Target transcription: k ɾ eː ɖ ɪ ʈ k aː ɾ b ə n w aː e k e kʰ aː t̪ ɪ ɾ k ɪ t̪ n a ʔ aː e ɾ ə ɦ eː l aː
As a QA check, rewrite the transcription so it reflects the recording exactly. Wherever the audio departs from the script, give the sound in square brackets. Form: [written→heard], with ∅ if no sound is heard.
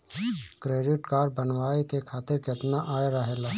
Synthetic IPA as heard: k ɾ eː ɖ ɪ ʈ k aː ɾ b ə n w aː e k e kʰ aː t̪ ɪ ɾ k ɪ t̪ n a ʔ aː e ɾ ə ɦ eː l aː